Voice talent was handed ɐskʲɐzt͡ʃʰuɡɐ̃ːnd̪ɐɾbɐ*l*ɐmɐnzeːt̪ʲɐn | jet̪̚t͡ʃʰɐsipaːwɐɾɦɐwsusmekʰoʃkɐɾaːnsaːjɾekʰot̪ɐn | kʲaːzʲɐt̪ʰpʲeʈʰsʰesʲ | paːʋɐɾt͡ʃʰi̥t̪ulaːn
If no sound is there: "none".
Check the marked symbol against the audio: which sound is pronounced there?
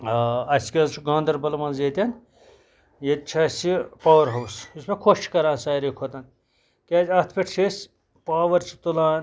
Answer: l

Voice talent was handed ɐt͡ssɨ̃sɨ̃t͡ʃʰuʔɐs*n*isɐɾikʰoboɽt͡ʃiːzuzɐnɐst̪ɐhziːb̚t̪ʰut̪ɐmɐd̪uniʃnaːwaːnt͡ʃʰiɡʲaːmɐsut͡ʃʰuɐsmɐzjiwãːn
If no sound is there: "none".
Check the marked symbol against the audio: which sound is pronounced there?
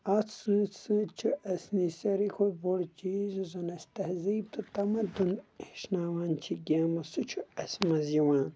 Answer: n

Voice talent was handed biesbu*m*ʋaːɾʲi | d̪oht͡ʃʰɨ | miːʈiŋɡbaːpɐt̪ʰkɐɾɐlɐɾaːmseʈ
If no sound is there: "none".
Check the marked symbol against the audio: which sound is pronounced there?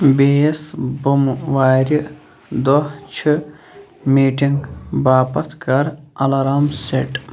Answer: m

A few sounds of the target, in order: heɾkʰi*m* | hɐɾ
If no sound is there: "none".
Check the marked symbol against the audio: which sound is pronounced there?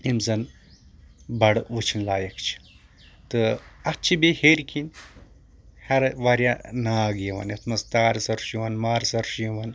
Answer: n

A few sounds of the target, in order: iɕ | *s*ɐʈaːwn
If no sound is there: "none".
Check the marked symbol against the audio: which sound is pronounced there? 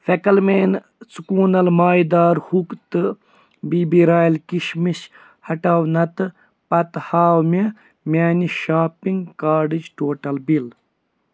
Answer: h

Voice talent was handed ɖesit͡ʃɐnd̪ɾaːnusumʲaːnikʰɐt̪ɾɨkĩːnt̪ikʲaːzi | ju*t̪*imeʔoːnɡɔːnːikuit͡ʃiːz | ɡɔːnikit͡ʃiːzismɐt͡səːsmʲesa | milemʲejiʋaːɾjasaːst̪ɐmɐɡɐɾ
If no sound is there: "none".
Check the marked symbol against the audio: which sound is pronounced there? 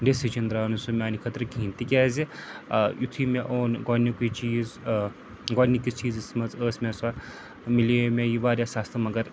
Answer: t̪ʰ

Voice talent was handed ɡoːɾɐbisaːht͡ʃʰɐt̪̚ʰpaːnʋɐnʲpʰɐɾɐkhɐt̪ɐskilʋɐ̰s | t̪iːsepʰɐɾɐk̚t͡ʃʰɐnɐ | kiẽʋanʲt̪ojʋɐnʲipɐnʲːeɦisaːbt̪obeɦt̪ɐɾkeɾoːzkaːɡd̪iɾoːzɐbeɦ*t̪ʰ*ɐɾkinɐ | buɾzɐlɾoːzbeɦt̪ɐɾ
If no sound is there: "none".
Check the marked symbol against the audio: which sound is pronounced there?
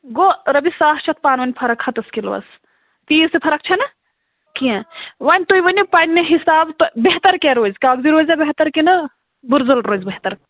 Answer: t̪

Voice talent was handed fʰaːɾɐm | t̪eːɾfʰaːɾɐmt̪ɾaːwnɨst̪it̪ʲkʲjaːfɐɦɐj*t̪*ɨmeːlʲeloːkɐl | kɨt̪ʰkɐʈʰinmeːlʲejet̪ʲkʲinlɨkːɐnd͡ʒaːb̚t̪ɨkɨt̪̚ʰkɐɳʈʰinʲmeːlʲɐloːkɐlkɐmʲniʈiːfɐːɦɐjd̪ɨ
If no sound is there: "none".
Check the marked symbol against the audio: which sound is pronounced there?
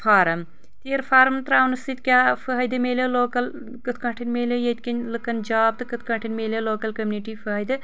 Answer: d̪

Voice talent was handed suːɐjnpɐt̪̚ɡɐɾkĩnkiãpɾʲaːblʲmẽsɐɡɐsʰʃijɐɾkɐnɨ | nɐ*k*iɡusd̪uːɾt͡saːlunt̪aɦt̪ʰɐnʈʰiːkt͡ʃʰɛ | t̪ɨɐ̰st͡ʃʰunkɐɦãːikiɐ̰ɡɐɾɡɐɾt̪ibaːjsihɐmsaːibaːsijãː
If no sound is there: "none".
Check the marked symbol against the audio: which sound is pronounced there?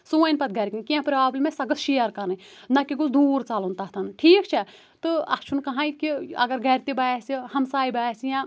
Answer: k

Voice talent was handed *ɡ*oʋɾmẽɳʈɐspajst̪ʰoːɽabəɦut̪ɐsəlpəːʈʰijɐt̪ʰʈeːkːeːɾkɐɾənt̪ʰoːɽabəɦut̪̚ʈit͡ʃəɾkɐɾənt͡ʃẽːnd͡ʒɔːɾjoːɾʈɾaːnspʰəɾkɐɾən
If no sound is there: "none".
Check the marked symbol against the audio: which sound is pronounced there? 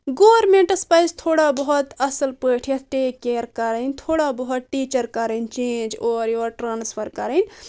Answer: ɡ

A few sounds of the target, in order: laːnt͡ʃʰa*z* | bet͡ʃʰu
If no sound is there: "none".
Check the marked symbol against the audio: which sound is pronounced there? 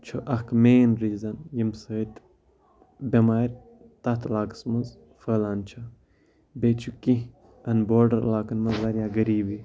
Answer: none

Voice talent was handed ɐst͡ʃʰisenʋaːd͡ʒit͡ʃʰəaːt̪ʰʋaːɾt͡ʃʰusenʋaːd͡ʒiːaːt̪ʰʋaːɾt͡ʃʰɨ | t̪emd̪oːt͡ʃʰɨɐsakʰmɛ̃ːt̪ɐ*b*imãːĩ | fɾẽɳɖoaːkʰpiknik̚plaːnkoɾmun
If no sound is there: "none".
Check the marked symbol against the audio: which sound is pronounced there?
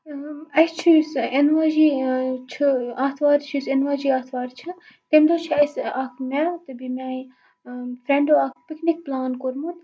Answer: b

